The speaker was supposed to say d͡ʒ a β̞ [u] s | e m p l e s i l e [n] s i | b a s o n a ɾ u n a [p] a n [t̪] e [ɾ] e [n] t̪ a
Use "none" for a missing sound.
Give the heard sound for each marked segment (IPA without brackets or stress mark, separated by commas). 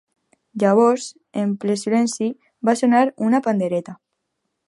o, n, p, d̪, ɾ, none